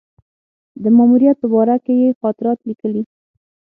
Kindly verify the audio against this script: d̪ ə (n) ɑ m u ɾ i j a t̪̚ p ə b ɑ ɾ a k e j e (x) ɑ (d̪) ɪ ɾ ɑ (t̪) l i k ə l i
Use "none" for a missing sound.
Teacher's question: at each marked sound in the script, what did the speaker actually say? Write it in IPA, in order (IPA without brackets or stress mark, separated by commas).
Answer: m, x, t̪, t̪